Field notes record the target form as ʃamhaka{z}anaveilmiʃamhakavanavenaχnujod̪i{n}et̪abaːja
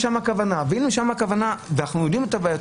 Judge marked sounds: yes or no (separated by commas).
no, no